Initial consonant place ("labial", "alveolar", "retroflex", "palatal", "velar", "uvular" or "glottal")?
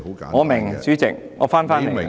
velar